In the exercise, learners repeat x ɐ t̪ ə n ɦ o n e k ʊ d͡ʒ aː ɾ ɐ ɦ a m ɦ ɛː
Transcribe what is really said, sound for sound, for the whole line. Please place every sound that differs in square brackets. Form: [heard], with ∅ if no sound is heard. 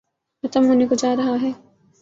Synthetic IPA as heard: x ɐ t̪ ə [m] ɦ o n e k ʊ d͡ʒ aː ɾ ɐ ɦ a [∅] ɦ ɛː